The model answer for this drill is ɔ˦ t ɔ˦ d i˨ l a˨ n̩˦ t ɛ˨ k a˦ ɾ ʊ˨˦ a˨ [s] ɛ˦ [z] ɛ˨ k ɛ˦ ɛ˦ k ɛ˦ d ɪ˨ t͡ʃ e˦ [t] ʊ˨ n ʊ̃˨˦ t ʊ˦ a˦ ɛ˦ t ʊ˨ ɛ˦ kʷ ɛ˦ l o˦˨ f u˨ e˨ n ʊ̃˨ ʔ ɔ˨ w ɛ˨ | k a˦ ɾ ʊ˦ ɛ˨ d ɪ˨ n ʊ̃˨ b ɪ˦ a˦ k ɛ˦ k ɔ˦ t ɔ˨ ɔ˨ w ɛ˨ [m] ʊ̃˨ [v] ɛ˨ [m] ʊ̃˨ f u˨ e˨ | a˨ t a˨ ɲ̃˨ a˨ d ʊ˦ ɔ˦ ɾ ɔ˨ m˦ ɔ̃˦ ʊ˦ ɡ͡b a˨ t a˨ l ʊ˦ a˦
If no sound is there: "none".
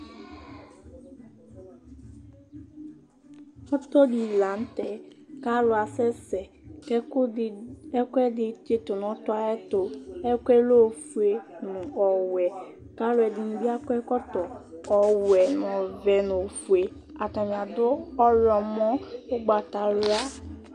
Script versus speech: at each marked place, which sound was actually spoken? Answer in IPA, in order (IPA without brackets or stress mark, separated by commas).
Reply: s, s, t, n, v, n